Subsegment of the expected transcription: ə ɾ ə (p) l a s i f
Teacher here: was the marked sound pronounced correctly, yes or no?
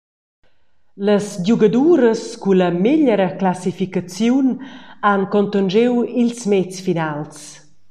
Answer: no